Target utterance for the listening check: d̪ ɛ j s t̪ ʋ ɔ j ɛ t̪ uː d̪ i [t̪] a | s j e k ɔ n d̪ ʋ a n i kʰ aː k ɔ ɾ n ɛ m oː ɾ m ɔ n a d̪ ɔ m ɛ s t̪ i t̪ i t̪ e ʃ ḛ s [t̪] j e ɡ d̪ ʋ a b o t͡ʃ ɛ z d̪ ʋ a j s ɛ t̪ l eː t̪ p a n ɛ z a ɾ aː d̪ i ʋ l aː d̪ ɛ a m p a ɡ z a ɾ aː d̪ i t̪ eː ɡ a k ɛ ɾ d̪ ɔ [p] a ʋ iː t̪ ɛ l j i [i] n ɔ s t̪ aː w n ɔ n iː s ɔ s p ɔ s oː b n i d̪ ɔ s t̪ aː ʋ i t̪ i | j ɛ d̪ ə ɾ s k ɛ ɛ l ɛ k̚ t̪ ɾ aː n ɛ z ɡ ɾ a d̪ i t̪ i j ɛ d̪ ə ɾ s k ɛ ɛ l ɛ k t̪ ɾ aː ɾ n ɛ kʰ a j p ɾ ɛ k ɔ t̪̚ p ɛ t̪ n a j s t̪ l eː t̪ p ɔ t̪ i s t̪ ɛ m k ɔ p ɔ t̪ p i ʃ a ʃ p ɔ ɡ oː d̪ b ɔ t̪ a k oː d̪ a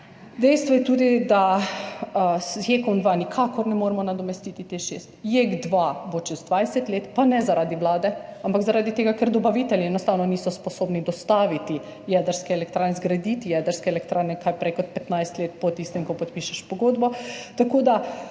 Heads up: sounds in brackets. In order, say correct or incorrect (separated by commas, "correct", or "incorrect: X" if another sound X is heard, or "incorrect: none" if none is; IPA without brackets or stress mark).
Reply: incorrect: d̪, correct, incorrect: b, incorrect: ɛ